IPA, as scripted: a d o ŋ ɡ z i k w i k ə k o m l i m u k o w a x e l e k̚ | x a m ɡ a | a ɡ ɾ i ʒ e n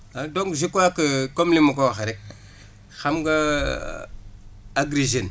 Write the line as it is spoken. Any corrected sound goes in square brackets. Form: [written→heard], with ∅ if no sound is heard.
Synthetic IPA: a d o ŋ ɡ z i k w [i→a] k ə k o m l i m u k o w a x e [l→ɾ] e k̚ | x a m ɡ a | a ɡ ɾ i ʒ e n